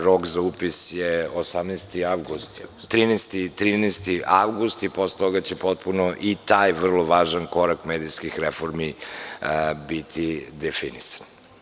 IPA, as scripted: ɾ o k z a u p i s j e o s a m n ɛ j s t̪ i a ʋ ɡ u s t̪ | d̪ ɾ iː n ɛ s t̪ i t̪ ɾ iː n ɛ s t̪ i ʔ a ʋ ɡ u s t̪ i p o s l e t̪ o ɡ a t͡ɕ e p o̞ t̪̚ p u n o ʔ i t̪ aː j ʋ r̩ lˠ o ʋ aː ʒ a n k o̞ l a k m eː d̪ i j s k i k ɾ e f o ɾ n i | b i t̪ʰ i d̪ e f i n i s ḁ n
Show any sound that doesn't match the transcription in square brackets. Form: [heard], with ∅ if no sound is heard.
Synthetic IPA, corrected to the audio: ɾ o k z a u p i s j e o s a m n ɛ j s t̪ i a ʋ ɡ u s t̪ | [t̪] ɾ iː n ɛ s t̪ i t̪ ɾ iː n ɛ s t̪ i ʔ a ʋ ɡ u s t̪ i p o s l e t̪ o ɡ a t͡ɕ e p o̞ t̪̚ p u n o ʔ i t̪ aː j ʋ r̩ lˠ o ʋ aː ʒ a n k o̞ [ɾ] a k m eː d̪ i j s k i [x] ɾ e f o ɾ [m] i | b i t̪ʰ i d̪ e f i n i s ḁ n